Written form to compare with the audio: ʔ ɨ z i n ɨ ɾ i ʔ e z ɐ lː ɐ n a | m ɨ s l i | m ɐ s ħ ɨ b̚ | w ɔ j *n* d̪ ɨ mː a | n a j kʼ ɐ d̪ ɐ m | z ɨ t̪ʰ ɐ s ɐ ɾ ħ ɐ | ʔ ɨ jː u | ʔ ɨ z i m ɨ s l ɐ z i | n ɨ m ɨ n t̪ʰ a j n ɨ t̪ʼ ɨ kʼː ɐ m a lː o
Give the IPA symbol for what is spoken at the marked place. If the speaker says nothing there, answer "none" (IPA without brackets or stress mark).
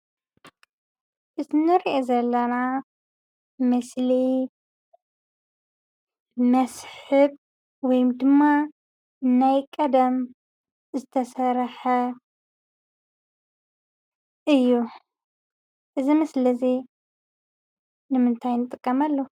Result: m